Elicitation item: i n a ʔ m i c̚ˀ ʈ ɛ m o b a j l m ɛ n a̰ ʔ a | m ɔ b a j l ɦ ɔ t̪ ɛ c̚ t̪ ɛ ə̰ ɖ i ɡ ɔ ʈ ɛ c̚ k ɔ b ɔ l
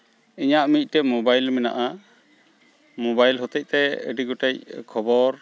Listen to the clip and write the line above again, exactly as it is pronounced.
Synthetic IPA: i ɲ a ʔ m i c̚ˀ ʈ ɛ m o b a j l m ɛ n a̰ ʔ a | m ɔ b a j l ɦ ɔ t̪ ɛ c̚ t̪ ɛ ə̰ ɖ i ɡ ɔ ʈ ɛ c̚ kʰ ɔ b ɔ ɾ